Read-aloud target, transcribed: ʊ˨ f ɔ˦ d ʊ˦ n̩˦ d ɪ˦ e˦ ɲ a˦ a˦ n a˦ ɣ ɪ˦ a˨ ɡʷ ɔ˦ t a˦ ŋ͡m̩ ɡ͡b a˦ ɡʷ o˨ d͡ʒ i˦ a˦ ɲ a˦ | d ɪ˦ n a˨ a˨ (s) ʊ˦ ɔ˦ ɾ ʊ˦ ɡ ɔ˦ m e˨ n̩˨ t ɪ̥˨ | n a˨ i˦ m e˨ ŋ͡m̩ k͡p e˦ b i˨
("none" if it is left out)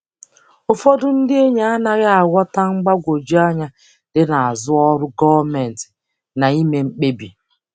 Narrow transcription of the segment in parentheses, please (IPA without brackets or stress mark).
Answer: z